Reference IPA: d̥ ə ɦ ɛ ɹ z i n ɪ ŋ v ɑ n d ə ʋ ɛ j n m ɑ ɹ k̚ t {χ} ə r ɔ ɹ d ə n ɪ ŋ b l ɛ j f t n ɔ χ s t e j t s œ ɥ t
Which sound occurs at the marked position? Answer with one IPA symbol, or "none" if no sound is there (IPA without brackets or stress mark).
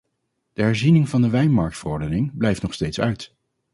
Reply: f